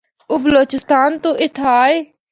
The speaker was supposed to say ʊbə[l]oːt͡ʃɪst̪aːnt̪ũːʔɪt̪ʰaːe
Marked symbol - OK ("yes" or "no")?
yes